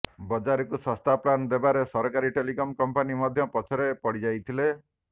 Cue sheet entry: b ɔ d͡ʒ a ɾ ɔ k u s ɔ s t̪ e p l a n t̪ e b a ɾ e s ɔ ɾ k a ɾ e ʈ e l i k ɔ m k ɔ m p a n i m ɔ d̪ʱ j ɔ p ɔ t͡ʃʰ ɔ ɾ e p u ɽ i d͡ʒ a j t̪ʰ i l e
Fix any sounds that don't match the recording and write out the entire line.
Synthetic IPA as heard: b ɔ d͡ʒ a ɾ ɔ k u s ɔ s t̪ a p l a n d̪ e b a ɾ e s ɔ ɾ k a ɾ i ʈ e l i k ɔ m k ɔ m p a n i m ɔ d̪ʱ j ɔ p ɔ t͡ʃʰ ɔ ɾ e p ɔ ɽ i d͡ʒ a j t̪ʰ i l e